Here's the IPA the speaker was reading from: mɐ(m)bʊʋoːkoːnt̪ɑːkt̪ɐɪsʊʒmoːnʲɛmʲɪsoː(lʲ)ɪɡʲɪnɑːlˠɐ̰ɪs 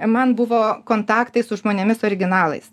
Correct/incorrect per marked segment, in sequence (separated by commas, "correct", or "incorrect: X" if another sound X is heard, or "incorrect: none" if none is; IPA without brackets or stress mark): incorrect: n, incorrect: ɾʲ